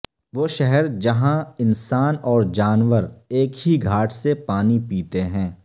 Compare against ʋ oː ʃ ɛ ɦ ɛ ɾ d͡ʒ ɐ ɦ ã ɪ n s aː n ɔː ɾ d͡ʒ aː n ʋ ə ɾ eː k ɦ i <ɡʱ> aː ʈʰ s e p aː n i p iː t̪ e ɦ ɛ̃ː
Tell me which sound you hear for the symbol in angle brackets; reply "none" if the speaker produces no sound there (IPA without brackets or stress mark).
ɡʱ